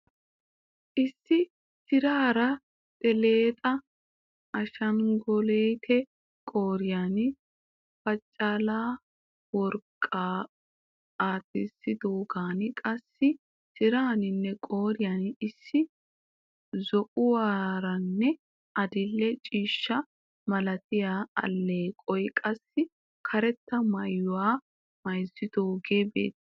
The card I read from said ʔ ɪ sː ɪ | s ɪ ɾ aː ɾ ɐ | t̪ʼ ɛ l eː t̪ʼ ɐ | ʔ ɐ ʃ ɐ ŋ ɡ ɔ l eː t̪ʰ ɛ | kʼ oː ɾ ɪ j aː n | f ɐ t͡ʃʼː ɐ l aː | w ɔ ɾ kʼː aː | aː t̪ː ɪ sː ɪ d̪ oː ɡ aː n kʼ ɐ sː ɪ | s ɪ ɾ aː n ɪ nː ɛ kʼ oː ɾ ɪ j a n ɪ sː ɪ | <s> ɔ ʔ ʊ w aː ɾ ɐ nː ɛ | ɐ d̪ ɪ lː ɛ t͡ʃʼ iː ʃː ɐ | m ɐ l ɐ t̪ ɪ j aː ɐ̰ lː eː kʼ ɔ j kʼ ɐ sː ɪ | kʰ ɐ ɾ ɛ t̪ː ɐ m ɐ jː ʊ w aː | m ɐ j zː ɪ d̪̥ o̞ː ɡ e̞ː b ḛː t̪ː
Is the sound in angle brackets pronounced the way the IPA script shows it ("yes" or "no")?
no